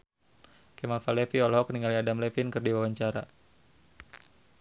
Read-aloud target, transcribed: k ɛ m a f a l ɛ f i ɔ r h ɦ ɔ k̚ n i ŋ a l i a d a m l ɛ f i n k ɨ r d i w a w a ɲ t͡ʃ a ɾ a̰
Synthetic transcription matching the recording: k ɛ m a f a l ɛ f i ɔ l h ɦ ɔ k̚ n i ŋ a l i a d a m l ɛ f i n k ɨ r d i w a w a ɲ t͡ʃ a ɾ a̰